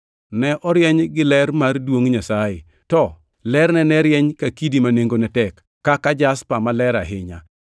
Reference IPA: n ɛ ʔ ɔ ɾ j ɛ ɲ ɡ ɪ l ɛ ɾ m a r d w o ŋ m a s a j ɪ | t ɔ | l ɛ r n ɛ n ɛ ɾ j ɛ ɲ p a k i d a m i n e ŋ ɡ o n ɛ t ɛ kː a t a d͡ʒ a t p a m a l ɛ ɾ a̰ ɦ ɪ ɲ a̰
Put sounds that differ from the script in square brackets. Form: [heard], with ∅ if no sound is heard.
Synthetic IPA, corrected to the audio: n ɛ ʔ ɔ ɾ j ɛ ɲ ɡ ɪ l ɛ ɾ m a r d w o ŋ [ɲ] a s a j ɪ | t ɔ | l ɛ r n ɛ n ɛ ɾ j ɛ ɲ [k] a k i d [i] m [a] n e ŋ ɡ o n ɛ t ɛ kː a [k] a d͡ʒ a [s] p a m a l ɛ ɾ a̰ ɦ ɪ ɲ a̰